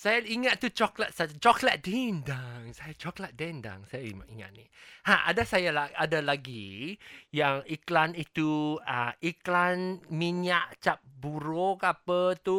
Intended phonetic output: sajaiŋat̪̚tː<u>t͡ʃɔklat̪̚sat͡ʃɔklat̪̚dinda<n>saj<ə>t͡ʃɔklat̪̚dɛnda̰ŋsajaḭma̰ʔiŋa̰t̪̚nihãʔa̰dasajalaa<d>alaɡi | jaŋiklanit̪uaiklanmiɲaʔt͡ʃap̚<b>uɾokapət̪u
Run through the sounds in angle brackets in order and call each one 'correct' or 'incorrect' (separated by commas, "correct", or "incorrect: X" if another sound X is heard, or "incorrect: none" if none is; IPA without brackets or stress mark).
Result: correct, incorrect: ŋ, incorrect: a, correct, correct